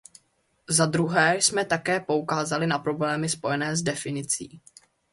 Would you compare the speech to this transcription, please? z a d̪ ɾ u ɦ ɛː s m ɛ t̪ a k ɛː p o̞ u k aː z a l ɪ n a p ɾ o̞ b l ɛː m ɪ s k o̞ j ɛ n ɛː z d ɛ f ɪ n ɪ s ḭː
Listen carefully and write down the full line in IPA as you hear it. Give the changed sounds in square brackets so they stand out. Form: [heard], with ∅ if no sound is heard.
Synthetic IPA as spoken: z a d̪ ɾ u ɦ ɛː s m ɛ t̪ a k ɛː p o̞ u k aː z a l ɪ n a p ɾ o̞ b l ɛː m ɪ s [p] o̞ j ɛ n ɛː z d ɛ f ɪ n ɪ [t͡s] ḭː